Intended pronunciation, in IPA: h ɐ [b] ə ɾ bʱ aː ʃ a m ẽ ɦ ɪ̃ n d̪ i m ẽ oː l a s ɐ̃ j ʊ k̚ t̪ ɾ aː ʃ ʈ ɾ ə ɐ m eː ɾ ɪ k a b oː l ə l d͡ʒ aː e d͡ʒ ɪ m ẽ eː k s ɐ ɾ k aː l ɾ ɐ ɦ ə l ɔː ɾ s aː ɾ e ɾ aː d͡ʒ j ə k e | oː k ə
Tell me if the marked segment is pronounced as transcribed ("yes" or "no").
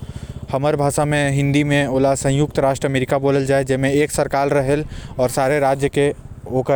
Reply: no